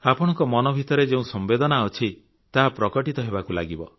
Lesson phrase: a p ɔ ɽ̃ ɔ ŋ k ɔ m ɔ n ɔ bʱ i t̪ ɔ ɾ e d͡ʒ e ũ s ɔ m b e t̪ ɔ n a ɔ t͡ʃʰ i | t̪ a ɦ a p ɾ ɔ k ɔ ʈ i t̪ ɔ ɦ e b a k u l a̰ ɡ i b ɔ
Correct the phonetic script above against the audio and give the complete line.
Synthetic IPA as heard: a p ɔ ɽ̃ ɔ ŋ k ɔ m ɔ n ɔ bʱ i t̪ ɔ ɾ e d͡ʒ e ũ s ɔ m b e d̪ ɔ n a ɔ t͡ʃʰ i | t̪ a ɦ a p ɾ ɔ k ɔ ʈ i t̪ ɔ ɦ e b a k u l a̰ ɡ i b ɔ